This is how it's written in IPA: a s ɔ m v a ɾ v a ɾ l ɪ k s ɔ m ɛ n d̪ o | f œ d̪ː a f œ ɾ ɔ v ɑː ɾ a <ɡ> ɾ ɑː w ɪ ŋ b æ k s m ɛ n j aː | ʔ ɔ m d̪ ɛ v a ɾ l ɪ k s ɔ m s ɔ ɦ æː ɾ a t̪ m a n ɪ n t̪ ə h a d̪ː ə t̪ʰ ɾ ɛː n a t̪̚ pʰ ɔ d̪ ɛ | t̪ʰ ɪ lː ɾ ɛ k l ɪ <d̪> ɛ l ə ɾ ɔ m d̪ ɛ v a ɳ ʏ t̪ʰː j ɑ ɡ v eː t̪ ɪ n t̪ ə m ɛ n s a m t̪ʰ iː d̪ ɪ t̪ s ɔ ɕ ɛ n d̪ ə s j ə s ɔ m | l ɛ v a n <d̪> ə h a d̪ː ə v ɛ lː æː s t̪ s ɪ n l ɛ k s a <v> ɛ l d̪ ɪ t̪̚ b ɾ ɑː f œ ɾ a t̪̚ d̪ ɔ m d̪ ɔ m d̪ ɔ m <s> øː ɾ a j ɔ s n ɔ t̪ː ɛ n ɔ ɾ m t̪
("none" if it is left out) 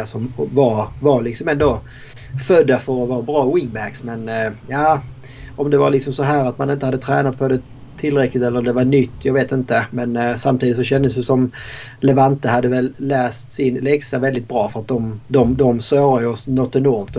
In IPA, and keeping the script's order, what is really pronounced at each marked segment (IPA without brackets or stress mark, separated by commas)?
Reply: b, t̪, t̪, v, s